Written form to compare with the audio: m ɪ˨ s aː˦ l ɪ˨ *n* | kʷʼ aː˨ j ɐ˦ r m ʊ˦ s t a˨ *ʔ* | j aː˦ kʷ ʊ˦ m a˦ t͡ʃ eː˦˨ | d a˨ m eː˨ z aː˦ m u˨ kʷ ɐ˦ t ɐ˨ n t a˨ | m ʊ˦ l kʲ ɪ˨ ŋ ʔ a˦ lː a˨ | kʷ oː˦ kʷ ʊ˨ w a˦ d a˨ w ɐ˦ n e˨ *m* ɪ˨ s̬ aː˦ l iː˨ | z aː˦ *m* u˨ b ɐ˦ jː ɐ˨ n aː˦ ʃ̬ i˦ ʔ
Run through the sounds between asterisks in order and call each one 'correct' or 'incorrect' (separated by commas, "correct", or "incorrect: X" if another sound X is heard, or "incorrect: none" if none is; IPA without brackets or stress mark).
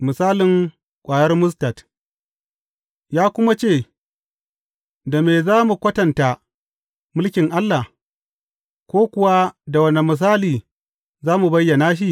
incorrect: ŋ, incorrect: t, correct, correct